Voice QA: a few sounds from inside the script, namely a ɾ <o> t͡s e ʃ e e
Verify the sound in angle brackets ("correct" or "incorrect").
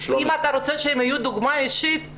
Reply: correct